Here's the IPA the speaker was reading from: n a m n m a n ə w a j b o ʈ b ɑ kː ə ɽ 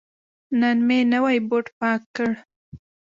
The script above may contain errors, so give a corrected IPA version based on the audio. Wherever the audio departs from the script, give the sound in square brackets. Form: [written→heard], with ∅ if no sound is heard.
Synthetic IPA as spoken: n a [m→∅] n m [a→e] n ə w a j b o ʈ [b→p] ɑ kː ə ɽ